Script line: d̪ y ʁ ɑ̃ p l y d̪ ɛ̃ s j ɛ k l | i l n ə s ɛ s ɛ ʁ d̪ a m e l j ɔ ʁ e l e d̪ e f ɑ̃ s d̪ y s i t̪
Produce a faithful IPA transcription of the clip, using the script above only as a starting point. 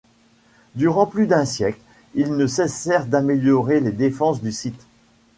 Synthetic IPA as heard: d̪ y ʁ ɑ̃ p l y d̪ ɛ̃ s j ɛ k l | i l n ə s ɛ s ɛ ʁ d̪ a m e l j ɔ ʁ e l e d̪ e f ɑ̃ s d̪ y s i t̪